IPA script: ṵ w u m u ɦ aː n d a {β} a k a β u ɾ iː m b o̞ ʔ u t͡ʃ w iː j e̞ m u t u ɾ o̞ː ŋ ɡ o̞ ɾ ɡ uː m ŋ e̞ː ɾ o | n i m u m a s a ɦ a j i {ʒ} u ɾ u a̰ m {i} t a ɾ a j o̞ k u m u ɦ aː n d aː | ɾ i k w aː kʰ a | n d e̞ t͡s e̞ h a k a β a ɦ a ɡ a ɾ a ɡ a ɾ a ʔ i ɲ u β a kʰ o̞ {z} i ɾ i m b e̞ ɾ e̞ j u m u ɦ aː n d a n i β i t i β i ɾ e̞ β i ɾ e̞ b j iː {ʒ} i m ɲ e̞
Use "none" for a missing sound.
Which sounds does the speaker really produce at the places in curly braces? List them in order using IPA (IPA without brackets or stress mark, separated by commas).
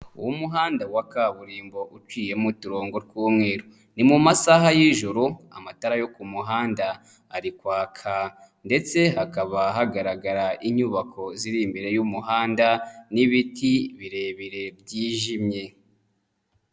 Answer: w, ʒ, a, z, ʒ